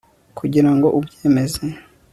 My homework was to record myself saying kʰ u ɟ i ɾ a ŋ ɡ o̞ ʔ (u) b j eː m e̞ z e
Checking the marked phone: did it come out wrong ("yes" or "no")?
no